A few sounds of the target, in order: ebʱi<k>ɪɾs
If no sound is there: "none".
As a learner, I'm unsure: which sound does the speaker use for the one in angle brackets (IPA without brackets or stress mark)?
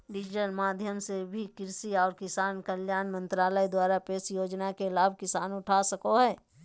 k